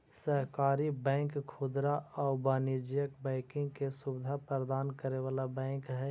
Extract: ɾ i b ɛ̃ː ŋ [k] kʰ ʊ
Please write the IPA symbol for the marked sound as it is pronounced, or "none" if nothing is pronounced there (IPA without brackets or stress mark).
k